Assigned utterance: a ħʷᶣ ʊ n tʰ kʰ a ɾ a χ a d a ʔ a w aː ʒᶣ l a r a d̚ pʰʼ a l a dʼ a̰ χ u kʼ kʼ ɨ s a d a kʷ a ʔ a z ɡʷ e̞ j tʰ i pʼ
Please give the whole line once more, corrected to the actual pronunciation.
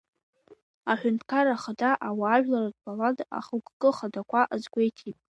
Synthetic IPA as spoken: a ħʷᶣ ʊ n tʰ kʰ a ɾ a χ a d a ʔ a w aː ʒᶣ l a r a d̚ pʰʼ a l a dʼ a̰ χ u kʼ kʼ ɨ χ a d a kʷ a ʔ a z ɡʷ e̞ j tʰ i pʼ